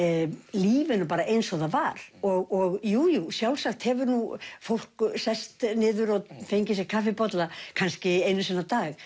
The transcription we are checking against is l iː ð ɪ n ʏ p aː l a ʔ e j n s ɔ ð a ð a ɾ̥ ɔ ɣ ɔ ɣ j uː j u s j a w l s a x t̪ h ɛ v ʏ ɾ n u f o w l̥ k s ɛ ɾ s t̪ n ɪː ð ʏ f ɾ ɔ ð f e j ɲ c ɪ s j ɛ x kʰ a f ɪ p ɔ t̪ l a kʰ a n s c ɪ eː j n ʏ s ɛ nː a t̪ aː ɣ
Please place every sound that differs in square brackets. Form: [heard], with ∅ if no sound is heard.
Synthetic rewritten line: l iː [v] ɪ n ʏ p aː [ɾ] a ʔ e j n s ɔ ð a [v] a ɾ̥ ɔ ɣ ɔ ɣ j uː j u s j a w l s a x t̪ h ɛ v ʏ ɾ n u f o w l̥ k s ɛ [∅] s t̪ n ɪː ð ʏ [∅] ɾ ɔ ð f e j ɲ c ɪ s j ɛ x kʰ a f ɪ p ɔ t̪ l a kʰ a n s c ɪ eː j n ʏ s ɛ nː a t̪ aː ɣ